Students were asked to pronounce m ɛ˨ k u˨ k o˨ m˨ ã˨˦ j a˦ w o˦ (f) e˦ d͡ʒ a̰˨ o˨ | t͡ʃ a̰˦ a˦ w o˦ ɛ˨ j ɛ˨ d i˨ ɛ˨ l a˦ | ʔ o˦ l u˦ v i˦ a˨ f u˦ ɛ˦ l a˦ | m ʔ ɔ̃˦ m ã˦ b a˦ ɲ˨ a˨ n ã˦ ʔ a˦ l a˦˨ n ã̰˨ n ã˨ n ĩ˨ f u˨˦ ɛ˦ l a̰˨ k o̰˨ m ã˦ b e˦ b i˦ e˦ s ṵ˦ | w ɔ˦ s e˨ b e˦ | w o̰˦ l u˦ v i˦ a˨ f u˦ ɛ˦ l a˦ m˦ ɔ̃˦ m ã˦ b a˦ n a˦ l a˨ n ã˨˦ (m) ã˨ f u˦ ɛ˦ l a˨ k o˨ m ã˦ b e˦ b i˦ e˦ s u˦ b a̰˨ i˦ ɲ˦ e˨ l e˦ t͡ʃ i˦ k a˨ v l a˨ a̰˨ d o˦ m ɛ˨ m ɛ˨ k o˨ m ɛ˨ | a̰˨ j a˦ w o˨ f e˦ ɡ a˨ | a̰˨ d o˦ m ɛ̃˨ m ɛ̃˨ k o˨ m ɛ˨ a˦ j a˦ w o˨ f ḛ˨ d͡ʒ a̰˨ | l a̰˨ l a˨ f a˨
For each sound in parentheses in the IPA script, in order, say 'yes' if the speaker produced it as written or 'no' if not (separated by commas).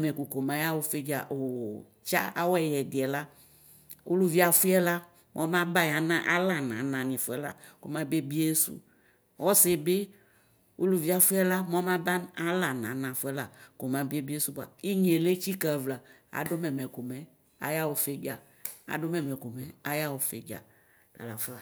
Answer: yes, no